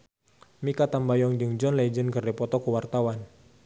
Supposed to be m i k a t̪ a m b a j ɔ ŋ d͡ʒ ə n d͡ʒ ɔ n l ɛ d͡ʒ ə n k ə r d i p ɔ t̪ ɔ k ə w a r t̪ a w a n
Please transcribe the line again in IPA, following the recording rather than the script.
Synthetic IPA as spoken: m i k a t̪ a m b a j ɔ ŋ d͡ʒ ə ŋ d͡ʒ ɔ n l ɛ d͡ʒ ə n k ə r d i p ɔ t̪ ɔ k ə w a r t̪ a w a n

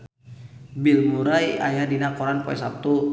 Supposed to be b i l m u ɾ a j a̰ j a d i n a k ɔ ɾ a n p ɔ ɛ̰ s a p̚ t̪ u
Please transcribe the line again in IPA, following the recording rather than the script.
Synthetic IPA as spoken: b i l m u ɾ a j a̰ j a d i n a k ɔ ɾ a n p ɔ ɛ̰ s a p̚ t̪ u

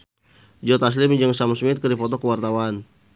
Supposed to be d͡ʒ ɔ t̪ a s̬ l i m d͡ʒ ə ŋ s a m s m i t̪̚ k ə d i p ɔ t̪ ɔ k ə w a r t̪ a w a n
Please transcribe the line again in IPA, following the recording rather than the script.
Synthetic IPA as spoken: d͡ʒ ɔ t̪ a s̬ l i m d͡ʒ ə ŋ s a m s m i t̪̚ k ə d i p ɔ t̪ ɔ k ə w a r t̪ a w a n

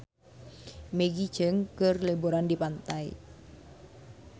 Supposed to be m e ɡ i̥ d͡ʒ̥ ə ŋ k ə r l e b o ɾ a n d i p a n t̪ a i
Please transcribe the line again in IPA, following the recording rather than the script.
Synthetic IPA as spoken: m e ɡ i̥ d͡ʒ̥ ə ŋ k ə r l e b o ɾ a n d i p a n t̪ a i

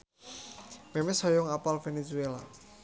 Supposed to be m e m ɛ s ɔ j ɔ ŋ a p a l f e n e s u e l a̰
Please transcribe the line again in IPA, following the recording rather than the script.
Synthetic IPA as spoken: m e m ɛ s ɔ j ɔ ŋ a p a l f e n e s u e l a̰

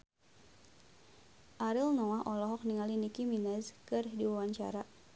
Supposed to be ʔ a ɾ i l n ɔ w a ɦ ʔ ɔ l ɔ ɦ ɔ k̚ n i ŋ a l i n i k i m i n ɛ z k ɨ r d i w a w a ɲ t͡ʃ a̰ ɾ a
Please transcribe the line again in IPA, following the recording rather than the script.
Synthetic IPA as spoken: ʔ a ɾ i l n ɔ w a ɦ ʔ ɔ l ɔ ɦ ɔ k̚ n i ŋ a l i n i k i m i n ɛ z k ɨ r d i w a w a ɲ t͡ʃ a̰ ɾ a

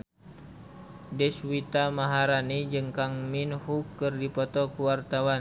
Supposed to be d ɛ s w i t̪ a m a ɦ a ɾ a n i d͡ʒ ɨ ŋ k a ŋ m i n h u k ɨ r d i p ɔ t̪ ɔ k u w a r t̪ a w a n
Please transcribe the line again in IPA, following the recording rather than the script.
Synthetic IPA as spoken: d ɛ s w i t̪ a m a ɦ a ɾ a n i d͡ʒ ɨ ŋ k a ŋ m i n h u k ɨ r d i p ɔ t̪ ɔ k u w a r t̪ a w a n

